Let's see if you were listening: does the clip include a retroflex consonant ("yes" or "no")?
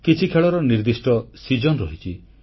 yes